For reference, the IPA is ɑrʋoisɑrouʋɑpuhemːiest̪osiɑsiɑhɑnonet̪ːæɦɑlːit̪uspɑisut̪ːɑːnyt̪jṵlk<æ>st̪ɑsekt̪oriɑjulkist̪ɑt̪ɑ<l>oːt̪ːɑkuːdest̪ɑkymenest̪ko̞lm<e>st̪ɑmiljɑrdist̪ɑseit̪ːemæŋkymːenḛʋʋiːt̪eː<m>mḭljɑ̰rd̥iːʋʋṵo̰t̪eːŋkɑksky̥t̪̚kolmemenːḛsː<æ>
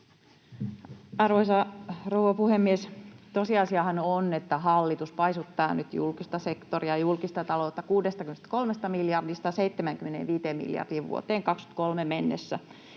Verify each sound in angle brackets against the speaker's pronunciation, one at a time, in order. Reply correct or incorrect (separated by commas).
incorrect, correct, correct, correct, correct